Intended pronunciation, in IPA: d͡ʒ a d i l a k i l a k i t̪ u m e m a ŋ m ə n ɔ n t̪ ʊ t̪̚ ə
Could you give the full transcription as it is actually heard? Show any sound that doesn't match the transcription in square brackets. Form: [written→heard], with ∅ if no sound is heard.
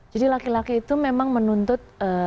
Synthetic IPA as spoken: d͡ʒ a d i l a k i l a k [i→iː] t̪ u m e m a ŋ m ə n [ɔ→u] n t̪ ʊ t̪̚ ə